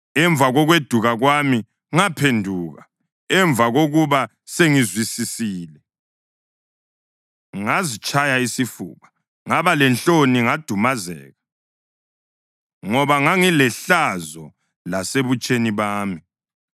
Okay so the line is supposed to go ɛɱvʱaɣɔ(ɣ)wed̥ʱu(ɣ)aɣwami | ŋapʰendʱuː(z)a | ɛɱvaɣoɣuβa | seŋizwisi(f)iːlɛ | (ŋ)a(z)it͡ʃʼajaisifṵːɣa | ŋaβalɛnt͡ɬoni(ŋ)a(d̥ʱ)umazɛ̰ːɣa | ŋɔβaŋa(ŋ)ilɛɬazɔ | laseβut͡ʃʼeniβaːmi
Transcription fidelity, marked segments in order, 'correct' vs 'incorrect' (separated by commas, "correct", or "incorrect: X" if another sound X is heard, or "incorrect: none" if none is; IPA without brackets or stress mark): correct, correct, incorrect: ɣ, incorrect: s, correct, correct, correct, correct, correct